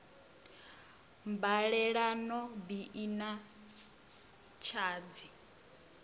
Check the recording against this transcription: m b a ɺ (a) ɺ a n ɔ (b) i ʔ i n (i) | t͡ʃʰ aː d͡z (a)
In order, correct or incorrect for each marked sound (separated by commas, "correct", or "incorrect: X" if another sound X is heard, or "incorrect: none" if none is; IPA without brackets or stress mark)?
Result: incorrect: ɛ, correct, incorrect: a, incorrect: i